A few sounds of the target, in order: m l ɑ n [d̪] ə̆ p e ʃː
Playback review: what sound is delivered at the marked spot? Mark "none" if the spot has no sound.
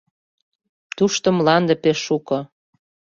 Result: d̪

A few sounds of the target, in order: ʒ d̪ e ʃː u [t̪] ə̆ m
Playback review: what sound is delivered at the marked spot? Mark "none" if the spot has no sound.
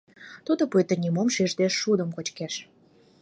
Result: d̪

